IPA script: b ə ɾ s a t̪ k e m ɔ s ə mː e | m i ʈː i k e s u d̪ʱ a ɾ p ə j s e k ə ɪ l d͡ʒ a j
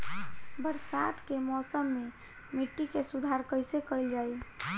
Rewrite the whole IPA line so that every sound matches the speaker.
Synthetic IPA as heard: b ə ɾ s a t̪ k e m ɔ s ə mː e | m i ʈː i k e s u d̪ʱ a ɾ k ə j s e k ə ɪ l d͡ʒ a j